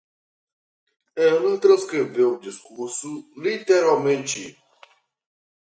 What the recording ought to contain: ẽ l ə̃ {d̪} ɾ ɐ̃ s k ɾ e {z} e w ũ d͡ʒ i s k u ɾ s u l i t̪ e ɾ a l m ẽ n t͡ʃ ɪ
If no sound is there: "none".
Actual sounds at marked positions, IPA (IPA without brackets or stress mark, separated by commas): t̪, v